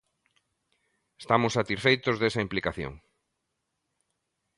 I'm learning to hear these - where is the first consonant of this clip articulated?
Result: tongue tip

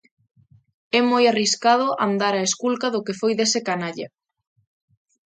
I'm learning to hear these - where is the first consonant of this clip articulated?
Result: lips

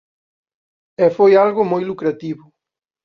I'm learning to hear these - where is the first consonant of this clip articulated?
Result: lips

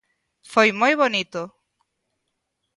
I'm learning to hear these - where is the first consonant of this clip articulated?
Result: lips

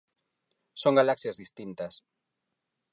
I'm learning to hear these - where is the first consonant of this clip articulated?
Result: tongue tip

